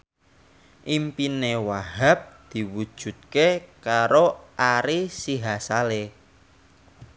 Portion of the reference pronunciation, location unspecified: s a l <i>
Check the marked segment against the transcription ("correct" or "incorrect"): incorrect